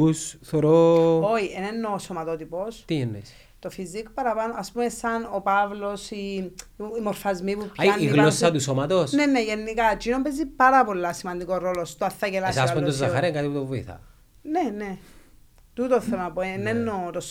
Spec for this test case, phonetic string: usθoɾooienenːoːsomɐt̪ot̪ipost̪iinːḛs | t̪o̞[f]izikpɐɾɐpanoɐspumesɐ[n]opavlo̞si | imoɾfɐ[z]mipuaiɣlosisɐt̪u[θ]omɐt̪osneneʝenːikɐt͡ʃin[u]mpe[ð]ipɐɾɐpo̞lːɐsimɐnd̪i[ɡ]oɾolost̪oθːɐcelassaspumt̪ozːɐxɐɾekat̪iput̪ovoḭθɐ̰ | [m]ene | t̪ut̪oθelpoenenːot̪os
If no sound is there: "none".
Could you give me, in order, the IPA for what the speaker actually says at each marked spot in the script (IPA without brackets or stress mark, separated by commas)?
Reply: f, n, z, s, o, z, k, n